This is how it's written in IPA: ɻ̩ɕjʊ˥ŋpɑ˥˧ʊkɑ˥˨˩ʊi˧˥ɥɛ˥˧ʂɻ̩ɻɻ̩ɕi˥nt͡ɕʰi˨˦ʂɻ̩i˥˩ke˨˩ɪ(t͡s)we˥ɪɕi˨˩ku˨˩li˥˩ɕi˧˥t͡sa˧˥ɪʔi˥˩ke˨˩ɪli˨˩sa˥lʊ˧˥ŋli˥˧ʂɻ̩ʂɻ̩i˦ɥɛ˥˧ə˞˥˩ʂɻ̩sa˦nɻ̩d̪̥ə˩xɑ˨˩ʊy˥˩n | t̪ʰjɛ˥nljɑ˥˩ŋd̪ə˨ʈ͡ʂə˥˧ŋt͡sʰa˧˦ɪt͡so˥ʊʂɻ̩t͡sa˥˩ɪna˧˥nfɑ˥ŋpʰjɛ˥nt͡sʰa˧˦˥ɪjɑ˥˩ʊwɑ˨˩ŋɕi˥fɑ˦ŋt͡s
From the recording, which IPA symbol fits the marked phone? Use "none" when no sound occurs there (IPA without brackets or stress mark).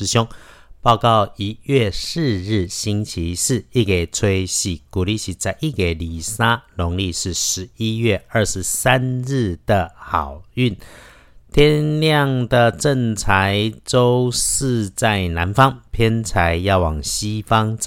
t͡sʰ